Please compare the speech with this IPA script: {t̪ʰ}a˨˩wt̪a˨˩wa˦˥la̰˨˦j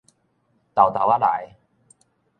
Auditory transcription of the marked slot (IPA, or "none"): t̪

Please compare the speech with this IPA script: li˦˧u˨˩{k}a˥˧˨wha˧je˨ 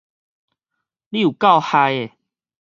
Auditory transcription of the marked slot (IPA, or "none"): k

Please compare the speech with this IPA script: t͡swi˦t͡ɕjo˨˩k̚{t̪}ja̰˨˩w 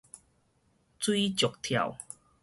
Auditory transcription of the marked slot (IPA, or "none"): t̪ʰ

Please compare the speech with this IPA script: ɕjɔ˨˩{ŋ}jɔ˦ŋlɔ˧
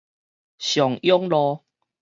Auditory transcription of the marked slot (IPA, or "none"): ŋ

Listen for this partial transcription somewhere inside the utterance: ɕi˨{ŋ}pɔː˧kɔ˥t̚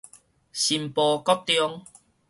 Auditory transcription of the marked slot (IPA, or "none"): m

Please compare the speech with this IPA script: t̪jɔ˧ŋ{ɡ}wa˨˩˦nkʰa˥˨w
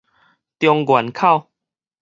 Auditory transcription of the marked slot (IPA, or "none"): ɡ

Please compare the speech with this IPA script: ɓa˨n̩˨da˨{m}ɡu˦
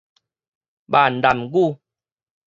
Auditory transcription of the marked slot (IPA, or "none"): m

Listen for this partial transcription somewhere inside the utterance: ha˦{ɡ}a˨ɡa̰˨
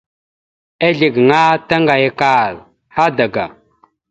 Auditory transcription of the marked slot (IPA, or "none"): d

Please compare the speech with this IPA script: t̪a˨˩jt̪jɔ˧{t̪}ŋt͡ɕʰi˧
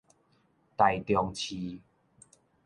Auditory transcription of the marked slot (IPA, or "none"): none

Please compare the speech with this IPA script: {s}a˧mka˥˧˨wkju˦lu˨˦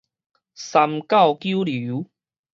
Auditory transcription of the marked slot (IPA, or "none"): s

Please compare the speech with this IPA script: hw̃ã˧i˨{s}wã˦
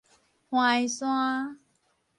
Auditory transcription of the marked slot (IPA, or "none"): s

